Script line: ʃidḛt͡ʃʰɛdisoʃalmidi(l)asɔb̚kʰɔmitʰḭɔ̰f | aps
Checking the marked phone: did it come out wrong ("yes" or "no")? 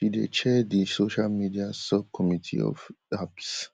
yes